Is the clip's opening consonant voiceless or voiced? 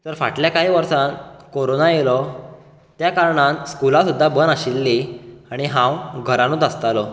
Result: voiceless